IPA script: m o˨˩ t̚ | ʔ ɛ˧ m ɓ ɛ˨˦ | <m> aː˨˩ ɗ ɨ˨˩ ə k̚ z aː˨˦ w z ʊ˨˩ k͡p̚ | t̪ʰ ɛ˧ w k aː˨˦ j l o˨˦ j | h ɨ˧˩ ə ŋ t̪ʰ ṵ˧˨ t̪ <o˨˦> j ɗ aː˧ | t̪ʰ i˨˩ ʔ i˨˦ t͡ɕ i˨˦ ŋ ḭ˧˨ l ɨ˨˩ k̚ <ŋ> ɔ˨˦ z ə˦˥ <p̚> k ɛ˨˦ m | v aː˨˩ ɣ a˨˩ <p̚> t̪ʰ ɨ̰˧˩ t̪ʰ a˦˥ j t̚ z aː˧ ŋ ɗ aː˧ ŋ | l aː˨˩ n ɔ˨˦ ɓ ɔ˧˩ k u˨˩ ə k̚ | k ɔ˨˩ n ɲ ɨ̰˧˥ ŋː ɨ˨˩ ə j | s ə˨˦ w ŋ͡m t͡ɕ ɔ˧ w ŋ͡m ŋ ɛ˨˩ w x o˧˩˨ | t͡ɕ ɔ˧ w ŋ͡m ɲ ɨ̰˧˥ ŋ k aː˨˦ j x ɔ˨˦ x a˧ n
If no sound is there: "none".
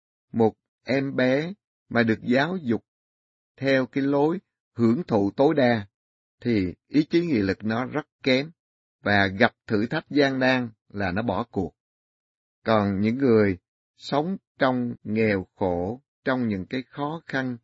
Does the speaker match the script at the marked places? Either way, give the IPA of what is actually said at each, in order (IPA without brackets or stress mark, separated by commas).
m, o˨˦, n, t̚, p̚